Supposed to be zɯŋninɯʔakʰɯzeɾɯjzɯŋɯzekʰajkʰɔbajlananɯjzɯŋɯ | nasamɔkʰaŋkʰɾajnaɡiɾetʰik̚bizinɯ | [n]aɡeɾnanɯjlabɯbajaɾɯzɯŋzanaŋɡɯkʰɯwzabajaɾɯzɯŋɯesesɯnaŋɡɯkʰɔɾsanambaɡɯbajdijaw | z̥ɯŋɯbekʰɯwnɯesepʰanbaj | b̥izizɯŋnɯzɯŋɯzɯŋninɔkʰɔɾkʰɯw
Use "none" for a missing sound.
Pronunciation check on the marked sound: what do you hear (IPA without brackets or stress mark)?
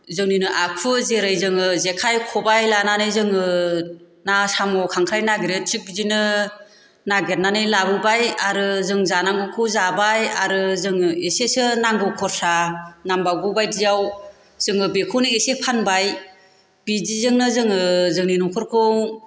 n